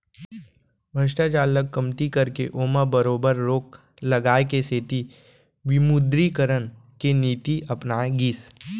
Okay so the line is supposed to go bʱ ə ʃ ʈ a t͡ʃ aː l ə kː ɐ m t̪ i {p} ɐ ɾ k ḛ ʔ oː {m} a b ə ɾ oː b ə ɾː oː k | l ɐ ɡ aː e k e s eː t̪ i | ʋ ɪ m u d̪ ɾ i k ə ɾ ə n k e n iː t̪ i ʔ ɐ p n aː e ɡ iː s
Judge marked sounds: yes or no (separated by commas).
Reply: no, yes